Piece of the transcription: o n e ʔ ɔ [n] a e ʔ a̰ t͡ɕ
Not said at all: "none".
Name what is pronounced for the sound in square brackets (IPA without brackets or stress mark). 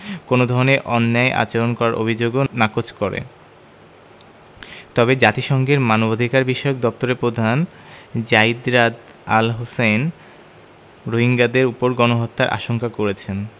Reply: nː